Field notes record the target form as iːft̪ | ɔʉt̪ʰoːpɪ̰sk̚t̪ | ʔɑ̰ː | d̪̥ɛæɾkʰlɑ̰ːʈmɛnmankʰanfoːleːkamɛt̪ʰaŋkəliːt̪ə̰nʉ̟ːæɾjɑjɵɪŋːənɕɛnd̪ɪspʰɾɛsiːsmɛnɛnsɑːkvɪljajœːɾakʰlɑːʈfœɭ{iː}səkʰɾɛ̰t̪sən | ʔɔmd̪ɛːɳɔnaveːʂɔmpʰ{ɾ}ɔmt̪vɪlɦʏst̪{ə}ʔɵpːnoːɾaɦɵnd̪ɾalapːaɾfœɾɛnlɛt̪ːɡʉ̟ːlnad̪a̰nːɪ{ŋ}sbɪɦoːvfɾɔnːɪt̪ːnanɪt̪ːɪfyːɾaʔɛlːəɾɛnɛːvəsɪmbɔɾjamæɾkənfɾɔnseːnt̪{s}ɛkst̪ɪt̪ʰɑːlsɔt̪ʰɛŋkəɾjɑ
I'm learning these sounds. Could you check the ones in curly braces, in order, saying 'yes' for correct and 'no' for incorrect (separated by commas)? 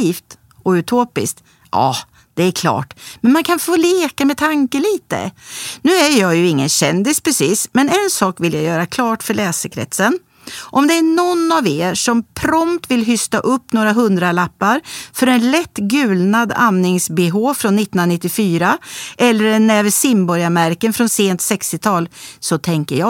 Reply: no, yes, no, yes, yes